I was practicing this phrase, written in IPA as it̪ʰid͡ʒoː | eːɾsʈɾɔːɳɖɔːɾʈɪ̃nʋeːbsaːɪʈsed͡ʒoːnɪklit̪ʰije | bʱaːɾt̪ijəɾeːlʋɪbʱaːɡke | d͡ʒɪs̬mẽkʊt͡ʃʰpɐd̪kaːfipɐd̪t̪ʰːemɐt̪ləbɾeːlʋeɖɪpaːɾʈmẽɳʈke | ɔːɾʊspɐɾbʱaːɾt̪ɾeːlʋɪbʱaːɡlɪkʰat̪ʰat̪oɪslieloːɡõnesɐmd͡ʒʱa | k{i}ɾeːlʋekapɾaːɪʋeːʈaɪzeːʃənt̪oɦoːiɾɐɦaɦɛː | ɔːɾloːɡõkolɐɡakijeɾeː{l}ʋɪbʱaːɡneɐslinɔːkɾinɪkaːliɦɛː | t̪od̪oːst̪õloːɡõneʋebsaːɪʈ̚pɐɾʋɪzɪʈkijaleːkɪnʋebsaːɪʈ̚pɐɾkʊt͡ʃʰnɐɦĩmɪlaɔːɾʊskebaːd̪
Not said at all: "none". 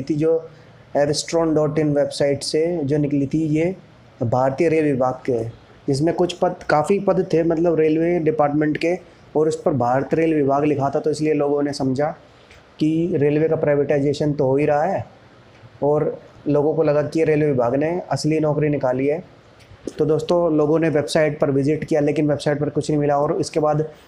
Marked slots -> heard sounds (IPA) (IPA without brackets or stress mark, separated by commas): i, l